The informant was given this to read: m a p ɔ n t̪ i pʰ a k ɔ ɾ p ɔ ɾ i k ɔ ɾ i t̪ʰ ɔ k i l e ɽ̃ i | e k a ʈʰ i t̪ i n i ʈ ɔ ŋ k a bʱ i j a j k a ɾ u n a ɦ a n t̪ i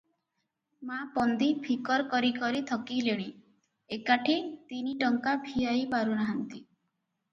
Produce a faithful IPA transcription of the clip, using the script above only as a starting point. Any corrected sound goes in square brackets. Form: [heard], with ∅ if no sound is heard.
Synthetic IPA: m a p ɔ n [d̪] i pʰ [i] k ɔ ɾ [k] ɔ ɾ i k ɔ ɾ i t̪ʰ ɔ k i l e ɽ̃ i | e k a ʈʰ i t̪ i n i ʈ ɔ ŋ k a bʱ i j a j [p] a ɾ u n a ɦ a n t̪ i